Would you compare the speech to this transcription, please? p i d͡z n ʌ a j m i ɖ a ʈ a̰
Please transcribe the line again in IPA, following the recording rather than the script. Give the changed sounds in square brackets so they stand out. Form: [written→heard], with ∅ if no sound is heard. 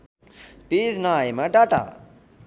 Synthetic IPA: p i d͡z n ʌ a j m [i→a] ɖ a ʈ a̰